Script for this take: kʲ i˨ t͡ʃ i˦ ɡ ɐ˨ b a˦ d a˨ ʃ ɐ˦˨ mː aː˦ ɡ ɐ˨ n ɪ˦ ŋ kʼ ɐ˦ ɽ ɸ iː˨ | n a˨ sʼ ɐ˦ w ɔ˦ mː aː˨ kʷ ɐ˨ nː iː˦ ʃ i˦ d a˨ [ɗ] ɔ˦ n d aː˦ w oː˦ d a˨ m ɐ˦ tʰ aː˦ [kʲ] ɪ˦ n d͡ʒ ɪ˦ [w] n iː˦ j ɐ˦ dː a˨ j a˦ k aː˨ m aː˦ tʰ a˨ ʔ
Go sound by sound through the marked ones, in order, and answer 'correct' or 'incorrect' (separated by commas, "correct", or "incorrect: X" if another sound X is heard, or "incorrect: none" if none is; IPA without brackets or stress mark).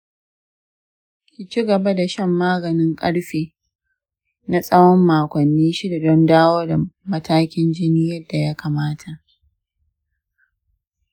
incorrect: d, correct, incorrect: none